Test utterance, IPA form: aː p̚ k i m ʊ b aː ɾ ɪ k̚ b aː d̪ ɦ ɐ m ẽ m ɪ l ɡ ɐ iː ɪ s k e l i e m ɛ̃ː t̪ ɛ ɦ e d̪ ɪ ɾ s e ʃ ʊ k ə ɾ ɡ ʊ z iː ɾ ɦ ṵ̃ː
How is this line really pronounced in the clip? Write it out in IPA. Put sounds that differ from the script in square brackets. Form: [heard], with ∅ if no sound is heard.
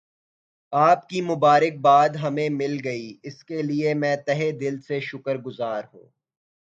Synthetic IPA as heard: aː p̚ k i m ʊ b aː ɾ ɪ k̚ b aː d̪ ɦ ɐ m ẽ m ɪ l ɡ ɐ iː ɪ s k e l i e m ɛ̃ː t̪ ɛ ɦ e d̪ ɪ [l] s e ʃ ʊ k ə ɾ ɡ ʊ z [aː] ɾ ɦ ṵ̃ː